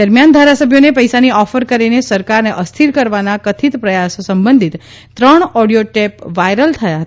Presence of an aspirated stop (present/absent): present